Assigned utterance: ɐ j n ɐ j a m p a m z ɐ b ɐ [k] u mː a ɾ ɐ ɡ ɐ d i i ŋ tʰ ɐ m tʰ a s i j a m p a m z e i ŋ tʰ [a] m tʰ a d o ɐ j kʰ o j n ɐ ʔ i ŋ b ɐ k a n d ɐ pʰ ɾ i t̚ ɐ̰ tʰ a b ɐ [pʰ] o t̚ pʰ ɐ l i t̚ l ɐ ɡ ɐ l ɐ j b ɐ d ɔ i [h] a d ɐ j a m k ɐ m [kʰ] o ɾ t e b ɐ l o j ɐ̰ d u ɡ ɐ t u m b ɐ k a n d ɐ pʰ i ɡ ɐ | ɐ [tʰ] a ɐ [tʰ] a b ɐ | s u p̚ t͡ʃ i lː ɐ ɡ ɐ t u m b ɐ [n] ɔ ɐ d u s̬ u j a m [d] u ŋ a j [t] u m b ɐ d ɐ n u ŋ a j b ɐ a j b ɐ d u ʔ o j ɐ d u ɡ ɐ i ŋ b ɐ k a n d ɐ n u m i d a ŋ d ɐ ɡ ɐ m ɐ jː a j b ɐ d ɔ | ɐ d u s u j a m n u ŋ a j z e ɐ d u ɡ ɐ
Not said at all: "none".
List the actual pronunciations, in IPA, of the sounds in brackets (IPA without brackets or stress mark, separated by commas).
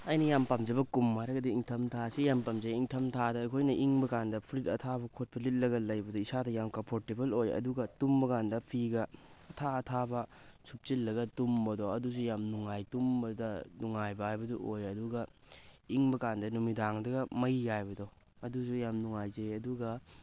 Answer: k, ɐ, kʰ, s, pʰ, tʰ, tʰ, d, n, t